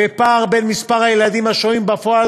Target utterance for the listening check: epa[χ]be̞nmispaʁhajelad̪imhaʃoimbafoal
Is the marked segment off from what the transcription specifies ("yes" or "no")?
yes